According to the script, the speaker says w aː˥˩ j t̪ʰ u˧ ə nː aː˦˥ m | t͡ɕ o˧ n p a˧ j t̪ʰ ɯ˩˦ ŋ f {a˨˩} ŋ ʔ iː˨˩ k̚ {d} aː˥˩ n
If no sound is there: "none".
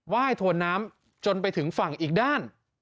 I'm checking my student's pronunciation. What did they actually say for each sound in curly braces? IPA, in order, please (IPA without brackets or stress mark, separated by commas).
a˨˩, d